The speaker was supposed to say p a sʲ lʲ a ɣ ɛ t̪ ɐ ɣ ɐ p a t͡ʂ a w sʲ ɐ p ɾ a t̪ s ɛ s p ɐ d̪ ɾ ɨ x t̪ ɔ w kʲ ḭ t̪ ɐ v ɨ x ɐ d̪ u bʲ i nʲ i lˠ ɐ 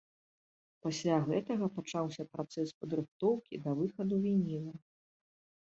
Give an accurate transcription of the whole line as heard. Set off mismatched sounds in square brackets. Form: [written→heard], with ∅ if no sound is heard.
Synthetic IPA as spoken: p a sʲ lʲ a ɣ ɛ t̪ ɐ ɣ ɐ p a t͡ʂ a w sʲ ɐ p ɾ a t̪ s ɛ s p ɐ d̪ ɾ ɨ x t̪ ɔ w kʲ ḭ [t̪→d̪] ɐ v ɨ x ɐ d̪ u [bʲ→vʲ] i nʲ i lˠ ɐ